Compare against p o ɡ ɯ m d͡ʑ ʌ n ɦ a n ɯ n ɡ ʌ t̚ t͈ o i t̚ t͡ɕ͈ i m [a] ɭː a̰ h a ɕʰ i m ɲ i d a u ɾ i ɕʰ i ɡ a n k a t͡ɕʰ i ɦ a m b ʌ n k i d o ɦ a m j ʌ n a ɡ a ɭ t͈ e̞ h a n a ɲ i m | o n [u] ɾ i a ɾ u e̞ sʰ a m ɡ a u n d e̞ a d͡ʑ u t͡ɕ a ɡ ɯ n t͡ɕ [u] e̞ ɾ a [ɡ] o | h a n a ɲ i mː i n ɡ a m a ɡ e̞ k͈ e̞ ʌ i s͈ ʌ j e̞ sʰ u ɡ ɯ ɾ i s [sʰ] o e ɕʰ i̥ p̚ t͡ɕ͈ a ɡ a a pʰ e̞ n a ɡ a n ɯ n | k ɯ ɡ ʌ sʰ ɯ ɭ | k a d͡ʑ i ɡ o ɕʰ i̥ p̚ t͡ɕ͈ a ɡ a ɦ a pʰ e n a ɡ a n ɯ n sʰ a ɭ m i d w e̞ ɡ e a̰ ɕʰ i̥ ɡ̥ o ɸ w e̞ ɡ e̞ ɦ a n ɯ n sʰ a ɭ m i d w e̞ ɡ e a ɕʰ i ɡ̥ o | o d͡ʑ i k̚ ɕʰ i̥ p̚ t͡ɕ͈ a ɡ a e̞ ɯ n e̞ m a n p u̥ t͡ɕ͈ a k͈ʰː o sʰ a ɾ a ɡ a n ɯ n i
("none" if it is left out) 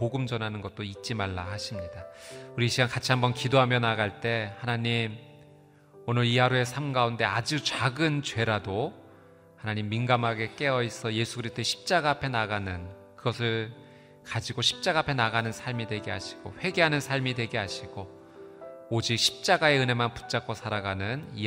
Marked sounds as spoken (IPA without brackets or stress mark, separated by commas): a, ɯ, w, d, tʰ